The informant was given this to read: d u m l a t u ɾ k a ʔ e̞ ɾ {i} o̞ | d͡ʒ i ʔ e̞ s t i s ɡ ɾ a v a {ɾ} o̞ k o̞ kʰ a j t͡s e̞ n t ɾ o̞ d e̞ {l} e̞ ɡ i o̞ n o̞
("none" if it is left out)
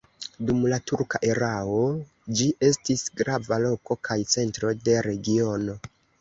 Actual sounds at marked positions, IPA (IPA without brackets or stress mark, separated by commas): a, l, ɾ